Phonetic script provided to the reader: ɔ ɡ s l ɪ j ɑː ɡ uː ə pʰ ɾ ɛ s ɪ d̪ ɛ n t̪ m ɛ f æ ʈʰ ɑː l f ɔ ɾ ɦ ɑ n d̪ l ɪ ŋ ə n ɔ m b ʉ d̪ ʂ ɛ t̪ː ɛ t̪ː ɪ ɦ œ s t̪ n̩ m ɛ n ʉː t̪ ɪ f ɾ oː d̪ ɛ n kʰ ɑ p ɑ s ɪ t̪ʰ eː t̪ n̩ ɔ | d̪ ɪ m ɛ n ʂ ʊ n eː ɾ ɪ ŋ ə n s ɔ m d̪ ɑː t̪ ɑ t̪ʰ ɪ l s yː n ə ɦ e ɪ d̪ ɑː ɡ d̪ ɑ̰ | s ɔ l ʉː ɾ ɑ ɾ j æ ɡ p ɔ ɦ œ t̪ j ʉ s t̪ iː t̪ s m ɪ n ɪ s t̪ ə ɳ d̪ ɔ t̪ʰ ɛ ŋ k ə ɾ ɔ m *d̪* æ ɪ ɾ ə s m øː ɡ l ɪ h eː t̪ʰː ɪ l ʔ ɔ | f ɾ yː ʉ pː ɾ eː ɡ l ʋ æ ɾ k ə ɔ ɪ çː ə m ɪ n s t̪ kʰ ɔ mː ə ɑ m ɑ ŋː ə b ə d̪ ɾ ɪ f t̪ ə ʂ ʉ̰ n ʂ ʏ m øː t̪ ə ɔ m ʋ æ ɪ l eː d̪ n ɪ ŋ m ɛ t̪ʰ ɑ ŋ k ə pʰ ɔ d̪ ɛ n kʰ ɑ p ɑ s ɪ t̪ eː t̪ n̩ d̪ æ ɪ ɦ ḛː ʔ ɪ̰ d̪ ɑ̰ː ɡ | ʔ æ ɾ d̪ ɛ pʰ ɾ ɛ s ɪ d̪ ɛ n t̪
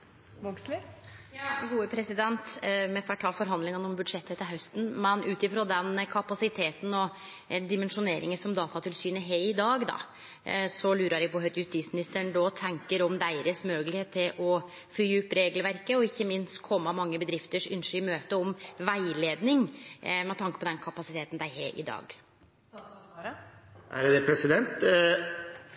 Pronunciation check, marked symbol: correct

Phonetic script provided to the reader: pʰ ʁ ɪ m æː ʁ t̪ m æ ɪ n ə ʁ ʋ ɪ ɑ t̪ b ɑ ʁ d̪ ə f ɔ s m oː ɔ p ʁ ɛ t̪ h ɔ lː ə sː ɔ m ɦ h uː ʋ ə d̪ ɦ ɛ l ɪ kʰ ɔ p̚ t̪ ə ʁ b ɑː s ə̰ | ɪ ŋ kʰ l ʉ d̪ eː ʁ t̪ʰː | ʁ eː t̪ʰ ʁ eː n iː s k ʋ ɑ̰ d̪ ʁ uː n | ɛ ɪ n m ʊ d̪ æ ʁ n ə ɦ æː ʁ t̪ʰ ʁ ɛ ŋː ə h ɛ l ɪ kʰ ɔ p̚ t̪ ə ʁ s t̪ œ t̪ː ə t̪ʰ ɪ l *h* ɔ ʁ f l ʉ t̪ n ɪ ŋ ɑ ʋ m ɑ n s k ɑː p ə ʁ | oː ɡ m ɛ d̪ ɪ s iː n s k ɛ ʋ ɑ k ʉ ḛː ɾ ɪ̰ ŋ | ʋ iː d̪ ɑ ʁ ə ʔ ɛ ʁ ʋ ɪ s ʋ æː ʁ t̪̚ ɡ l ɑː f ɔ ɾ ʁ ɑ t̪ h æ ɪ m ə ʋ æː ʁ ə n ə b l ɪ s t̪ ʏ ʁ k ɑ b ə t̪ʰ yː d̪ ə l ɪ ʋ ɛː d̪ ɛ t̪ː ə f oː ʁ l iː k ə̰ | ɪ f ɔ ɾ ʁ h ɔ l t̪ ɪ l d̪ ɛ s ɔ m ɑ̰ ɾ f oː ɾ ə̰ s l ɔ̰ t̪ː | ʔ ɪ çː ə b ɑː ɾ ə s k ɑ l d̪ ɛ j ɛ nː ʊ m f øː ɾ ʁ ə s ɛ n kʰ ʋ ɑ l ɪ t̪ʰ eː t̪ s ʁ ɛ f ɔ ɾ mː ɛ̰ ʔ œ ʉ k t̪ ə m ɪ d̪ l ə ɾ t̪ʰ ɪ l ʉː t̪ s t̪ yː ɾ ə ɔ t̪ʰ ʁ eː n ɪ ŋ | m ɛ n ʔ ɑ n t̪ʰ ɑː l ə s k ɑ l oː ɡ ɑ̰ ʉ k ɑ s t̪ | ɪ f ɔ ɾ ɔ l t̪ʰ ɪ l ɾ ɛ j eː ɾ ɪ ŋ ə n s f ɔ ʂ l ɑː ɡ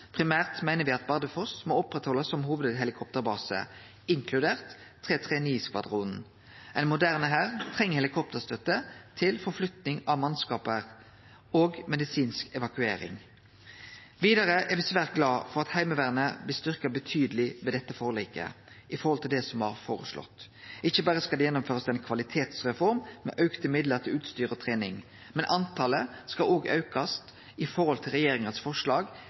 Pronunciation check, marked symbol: incorrect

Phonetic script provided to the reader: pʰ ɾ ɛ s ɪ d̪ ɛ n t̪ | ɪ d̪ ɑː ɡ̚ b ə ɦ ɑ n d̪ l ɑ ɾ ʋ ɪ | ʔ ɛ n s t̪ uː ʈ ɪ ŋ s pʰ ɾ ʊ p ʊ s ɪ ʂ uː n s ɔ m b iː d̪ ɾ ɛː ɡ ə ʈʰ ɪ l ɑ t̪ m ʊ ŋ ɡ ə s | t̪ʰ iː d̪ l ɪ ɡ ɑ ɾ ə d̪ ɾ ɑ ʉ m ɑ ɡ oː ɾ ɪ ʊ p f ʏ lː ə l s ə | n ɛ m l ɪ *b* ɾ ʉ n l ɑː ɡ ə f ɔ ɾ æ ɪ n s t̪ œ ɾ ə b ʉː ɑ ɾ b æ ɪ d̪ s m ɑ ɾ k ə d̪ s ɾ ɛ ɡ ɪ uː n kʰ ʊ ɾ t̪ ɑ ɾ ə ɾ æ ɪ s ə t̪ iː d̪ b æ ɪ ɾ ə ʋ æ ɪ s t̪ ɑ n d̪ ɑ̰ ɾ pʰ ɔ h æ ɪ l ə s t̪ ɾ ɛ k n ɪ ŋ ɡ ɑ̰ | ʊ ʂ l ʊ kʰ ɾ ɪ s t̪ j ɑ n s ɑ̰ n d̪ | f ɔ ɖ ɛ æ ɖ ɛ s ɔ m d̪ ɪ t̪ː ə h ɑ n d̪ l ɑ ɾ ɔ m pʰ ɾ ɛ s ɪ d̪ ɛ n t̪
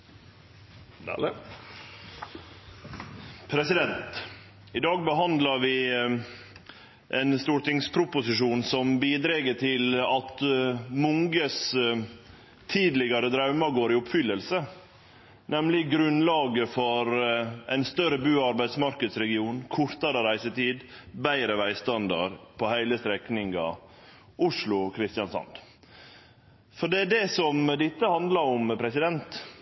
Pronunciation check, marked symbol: incorrect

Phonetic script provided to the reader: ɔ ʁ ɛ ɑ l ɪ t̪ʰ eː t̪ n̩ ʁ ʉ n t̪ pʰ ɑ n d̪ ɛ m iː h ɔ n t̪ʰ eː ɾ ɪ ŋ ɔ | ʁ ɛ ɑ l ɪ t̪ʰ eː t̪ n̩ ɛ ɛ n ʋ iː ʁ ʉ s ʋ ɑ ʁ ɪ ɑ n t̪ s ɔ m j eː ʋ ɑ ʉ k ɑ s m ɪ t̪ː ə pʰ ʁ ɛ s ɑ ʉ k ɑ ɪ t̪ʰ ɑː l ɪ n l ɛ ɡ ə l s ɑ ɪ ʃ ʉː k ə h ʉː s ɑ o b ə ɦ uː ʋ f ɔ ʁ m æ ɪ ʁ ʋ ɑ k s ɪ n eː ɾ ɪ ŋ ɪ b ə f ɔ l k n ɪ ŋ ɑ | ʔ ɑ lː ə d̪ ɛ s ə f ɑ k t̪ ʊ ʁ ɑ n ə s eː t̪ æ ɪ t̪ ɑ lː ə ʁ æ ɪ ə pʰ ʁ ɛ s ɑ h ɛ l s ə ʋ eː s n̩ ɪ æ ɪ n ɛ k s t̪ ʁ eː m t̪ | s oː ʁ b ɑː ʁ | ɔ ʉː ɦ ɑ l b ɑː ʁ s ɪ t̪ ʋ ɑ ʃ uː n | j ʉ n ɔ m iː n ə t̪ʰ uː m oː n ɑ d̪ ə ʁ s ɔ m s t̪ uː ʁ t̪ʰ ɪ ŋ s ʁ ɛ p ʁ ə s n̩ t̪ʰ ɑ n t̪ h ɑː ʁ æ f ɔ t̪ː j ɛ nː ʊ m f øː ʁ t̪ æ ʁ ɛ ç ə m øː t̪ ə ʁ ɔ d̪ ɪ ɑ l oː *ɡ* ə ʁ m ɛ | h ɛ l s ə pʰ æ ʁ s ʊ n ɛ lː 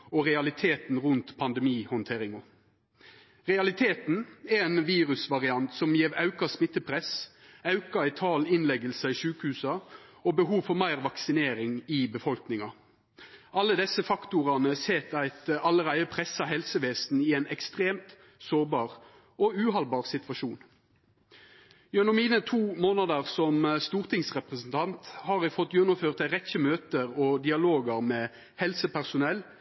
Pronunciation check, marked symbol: correct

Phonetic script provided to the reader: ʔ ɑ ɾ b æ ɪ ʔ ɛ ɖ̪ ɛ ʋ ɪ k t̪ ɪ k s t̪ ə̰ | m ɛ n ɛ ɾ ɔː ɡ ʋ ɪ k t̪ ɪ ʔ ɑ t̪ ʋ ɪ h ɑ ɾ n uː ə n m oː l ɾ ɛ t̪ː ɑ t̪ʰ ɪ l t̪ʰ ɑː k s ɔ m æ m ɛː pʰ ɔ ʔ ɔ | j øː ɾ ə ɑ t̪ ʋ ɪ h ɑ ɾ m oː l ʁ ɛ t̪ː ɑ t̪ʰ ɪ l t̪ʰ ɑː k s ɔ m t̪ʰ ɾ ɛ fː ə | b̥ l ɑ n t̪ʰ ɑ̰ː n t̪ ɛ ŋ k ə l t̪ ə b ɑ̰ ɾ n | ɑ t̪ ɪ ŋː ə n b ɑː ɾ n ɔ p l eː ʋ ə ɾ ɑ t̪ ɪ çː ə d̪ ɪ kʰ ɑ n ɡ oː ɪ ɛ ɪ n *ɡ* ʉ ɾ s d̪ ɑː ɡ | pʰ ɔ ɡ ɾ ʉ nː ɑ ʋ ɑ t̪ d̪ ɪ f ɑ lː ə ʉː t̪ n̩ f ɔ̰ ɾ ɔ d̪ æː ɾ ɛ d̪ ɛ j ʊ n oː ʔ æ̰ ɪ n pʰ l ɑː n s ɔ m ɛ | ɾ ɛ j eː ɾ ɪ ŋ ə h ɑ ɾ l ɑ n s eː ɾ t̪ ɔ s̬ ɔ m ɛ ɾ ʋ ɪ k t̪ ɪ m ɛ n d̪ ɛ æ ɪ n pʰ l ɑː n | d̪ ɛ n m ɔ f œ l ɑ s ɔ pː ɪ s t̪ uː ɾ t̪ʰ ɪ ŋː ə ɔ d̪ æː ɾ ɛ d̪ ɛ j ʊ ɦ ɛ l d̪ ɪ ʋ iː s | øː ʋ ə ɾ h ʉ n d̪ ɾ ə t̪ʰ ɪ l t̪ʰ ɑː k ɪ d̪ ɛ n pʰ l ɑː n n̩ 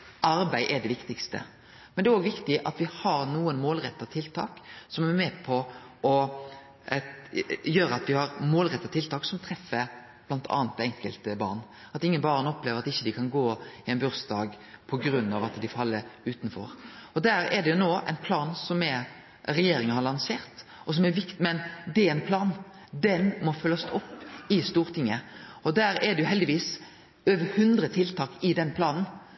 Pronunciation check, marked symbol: incorrect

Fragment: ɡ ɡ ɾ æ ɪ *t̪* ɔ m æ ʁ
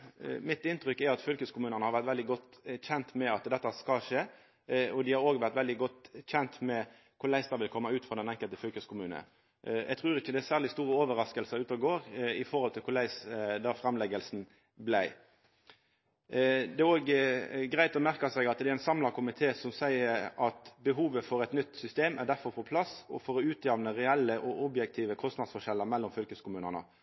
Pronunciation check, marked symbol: correct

